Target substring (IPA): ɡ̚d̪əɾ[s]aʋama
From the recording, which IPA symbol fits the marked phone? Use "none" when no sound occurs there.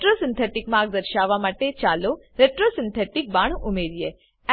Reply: ʃ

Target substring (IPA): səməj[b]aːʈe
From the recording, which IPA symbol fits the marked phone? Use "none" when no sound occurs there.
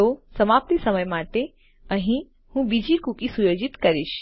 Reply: m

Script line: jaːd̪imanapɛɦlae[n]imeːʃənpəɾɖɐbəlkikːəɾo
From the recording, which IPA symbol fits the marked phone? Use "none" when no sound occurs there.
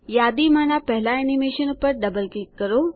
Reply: n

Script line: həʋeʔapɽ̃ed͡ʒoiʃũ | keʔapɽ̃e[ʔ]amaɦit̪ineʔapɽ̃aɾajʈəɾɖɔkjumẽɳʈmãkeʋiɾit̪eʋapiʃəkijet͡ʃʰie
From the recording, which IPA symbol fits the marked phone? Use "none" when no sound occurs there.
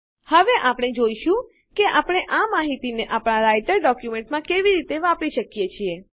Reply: ʔ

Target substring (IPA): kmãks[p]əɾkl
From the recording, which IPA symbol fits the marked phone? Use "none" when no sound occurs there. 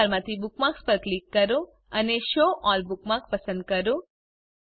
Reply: p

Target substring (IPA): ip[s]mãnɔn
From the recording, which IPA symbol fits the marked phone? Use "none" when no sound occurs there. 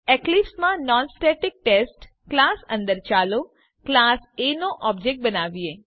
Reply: s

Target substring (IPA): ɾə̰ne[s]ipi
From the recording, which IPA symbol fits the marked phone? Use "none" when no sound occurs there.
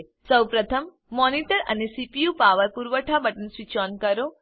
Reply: s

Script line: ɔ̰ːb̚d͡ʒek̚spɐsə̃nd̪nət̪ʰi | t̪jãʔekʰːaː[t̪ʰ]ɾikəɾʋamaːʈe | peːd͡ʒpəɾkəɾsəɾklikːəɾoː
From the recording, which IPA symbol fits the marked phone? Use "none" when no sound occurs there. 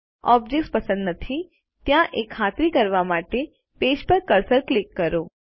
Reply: t̪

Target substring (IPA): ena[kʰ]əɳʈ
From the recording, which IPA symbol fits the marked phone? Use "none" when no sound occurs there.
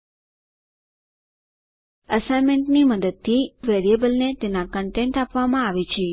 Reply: k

